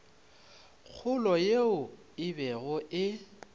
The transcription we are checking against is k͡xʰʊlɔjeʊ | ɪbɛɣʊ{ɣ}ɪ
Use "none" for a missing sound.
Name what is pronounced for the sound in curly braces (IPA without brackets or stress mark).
none